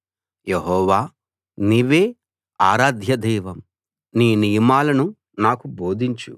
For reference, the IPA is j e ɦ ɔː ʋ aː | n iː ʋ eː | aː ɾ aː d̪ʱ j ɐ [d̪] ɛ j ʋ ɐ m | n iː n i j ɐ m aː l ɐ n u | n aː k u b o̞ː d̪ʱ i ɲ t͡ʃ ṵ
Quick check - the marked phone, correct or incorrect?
correct